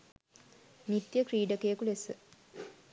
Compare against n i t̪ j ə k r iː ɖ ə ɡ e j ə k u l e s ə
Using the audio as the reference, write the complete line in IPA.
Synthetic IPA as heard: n i t̪ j ə k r iː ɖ ə k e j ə k u l e s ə